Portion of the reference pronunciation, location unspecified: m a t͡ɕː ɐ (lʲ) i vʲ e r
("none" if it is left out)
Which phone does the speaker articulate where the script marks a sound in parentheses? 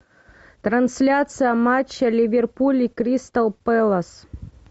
lʲ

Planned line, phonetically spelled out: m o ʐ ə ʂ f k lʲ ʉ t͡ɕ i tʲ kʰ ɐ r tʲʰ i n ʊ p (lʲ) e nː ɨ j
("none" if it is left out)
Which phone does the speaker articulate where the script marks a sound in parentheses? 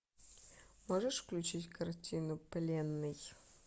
lʲ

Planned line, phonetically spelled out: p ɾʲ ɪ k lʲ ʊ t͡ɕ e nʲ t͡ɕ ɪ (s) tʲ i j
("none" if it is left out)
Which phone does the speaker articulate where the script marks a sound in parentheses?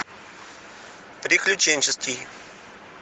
s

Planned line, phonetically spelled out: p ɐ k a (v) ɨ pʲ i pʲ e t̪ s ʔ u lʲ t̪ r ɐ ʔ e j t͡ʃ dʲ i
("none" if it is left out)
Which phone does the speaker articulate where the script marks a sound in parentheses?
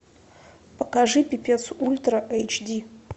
ʐ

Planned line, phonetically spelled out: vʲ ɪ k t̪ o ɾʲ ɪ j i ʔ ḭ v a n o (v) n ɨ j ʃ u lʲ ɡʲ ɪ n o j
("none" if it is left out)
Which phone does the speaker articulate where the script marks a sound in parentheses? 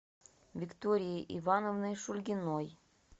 v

